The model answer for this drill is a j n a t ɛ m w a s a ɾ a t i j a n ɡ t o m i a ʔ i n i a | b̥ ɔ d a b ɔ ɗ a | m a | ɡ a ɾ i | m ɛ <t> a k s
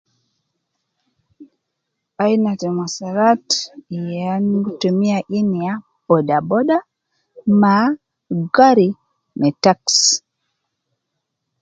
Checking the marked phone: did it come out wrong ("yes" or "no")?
no